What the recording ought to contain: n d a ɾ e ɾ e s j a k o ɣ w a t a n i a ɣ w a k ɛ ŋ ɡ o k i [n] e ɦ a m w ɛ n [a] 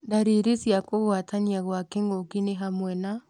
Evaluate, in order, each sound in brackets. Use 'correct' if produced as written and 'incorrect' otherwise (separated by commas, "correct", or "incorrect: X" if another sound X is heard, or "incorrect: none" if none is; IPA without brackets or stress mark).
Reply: correct, correct